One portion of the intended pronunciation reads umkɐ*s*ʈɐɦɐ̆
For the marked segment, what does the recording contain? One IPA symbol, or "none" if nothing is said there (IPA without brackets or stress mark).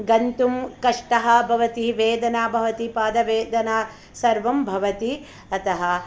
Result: ʂ